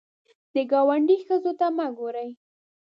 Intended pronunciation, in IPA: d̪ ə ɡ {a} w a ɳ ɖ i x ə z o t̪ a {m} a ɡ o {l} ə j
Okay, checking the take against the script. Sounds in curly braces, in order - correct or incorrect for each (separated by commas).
incorrect, correct, incorrect